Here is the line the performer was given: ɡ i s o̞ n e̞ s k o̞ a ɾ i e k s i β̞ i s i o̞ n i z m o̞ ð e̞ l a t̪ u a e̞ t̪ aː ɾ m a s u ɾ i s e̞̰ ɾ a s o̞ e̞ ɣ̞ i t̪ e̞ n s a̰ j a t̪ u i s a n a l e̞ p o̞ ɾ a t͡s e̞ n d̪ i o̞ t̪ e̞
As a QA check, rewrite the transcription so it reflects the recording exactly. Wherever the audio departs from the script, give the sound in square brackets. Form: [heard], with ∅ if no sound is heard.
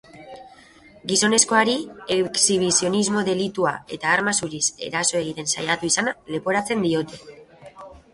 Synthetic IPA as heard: ɡ i s o̞ n e̞ s k o̞ a ɾ i e k s i β̞ i s i o̞ n i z m o̞ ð e̞ l [i] t̪ u a e̞ t̪ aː ɾ m a s u ɾ i s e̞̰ ɾ a s o̞ e̞ ɣ̞ i t̪ e̞ n s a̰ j a t̪ u i s a n a l e̞ p o̞ ɾ a t͡s e̞ n d̪ i o̞ t̪ e̞